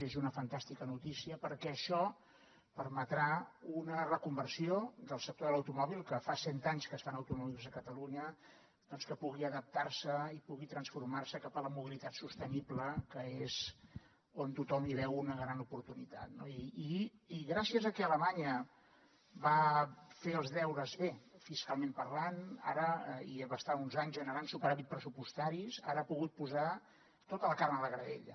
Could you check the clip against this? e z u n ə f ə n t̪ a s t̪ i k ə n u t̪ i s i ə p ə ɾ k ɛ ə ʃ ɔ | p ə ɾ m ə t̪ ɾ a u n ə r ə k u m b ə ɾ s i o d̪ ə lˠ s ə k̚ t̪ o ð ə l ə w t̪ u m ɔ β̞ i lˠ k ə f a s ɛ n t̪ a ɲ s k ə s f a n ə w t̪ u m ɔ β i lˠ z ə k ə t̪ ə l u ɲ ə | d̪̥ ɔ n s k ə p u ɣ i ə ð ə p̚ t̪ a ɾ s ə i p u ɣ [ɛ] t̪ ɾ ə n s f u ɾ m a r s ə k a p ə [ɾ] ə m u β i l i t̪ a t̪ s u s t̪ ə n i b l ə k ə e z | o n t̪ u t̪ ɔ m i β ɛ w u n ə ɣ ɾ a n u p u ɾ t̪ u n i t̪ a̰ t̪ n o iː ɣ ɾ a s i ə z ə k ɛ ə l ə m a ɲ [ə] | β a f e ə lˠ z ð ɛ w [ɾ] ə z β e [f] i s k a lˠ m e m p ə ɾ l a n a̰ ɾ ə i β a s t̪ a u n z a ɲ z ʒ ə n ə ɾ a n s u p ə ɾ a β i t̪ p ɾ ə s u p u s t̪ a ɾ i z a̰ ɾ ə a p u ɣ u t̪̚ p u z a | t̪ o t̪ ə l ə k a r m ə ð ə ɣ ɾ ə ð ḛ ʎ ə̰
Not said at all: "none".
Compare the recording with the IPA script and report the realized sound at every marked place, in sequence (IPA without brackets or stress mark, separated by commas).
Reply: i, l, ə, ɾ, f